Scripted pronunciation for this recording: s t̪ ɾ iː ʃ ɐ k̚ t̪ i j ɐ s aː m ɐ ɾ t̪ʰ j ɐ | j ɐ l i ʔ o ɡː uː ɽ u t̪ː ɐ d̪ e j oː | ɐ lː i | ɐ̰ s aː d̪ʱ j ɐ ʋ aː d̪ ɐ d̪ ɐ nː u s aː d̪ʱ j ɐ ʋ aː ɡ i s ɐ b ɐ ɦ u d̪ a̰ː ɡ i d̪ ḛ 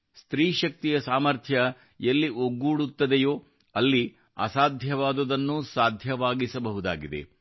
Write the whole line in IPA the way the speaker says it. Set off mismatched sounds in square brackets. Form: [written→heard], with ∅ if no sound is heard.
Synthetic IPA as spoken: s t̪ ɾ iː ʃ ɐ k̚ t̪ i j ɐ s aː m ɐ ɾ t̪ʰ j ɐ | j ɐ [l→lː] i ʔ o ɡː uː ɽ u t̪ː ɐ d̪ e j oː | ɐ lː i | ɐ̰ s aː d̪ʱ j ɐ ʋ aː d̪ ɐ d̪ ɐ nː u s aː d̪ʱ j ɐ ʋ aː ɡ i s ɐ b ɐ ɦ u d̪ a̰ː ɡ i d̪ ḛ